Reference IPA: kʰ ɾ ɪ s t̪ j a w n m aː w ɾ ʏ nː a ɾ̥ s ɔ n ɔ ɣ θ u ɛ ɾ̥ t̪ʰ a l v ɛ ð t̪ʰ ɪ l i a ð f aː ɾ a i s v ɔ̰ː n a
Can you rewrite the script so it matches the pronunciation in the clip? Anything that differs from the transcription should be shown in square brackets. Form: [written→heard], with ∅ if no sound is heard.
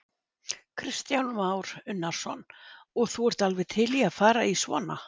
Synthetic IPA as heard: kʰ ɾ ɪ s t̪ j a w n m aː w ɾ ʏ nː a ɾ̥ s ɔ n ɔ ɣ θ u ɛ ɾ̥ [t̪ʰ→t̪] a l v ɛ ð t̪ʰ ɪ l i a ð f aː ɾ a i s v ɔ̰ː n a